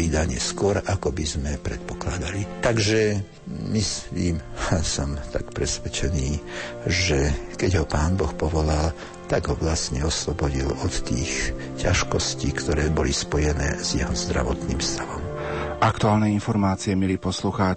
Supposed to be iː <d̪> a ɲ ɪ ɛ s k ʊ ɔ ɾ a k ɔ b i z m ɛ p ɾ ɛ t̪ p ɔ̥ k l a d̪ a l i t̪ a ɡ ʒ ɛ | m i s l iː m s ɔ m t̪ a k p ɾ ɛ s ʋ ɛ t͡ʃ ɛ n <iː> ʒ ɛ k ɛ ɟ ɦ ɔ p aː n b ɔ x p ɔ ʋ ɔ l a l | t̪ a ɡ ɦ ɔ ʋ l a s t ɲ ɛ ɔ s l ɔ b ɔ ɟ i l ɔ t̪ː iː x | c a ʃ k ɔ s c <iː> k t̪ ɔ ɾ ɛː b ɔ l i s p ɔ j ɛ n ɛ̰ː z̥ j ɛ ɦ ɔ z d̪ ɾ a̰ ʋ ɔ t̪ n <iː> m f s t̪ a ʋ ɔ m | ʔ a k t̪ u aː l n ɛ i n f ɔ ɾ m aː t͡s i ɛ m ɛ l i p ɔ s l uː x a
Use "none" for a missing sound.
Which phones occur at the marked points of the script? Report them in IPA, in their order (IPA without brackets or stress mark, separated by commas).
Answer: d̪, iː, iː, iː